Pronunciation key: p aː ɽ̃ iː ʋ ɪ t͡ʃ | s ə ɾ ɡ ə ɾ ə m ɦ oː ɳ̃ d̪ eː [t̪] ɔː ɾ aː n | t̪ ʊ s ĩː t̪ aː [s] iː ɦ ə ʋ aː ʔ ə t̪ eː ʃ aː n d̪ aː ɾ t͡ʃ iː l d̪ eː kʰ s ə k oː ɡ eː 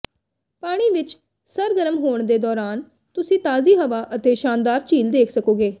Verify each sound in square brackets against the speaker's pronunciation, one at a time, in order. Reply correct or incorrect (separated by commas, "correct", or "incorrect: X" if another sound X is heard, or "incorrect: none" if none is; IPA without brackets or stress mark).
incorrect: d̪, incorrect: z